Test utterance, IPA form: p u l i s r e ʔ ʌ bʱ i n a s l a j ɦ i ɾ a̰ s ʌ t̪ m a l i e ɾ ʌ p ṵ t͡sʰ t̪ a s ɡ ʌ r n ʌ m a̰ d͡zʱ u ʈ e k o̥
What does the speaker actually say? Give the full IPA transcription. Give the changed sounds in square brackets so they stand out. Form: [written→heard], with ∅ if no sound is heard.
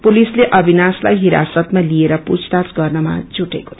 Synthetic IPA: p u l i s [r→l] e ʔ ʌ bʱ i n a s l a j ɦ i ɾ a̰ s ʌ t̪ m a l i e ɾ ʌ p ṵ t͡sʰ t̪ a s ɡ ʌ r n ʌ m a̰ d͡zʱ u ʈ e k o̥